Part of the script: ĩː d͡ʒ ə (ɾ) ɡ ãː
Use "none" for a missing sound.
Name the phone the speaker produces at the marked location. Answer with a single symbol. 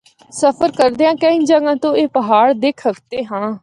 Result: none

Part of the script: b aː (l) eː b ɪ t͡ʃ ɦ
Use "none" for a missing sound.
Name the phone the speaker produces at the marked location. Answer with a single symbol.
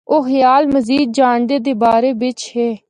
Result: ɾ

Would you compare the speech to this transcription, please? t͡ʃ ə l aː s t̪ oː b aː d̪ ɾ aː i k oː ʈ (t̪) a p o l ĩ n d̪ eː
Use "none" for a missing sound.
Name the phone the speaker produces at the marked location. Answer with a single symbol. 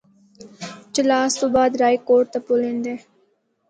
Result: t̪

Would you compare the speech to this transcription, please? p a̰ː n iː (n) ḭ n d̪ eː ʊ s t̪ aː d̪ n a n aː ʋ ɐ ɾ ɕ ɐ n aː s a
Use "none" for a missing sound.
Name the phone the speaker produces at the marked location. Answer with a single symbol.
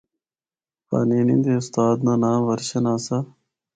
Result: n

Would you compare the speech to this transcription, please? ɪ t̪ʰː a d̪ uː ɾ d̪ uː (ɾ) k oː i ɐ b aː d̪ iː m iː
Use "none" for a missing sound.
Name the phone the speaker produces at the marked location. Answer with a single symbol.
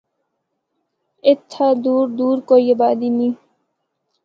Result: ɾ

